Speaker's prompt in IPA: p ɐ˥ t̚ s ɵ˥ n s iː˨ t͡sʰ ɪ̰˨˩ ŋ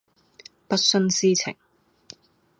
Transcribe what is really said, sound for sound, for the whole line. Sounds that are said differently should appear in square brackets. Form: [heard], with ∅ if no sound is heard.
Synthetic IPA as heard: p ɐ˥ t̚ s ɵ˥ n s [iː˥] t͡sʰ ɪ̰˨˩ ŋ